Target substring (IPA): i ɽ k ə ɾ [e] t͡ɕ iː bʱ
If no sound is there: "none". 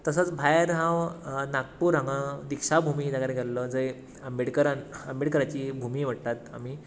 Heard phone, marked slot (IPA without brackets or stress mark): a